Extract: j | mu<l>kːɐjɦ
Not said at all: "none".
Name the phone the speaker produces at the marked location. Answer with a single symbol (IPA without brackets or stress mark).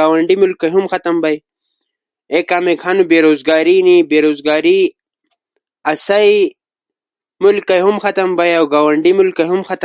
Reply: l